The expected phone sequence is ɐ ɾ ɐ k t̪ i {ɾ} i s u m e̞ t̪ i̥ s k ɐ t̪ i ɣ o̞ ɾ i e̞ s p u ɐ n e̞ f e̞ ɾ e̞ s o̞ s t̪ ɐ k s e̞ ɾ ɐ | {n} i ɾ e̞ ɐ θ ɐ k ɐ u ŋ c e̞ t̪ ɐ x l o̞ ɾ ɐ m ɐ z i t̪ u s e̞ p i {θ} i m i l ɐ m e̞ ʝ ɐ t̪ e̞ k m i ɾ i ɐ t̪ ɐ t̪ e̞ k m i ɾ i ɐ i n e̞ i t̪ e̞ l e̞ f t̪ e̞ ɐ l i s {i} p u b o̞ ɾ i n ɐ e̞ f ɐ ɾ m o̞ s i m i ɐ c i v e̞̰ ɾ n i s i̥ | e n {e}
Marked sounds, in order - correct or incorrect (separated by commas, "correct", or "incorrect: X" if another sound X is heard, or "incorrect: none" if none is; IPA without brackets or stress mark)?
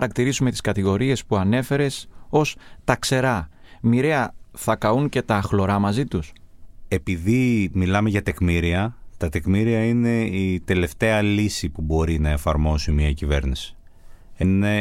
correct, incorrect: m, incorrect: ð, correct, correct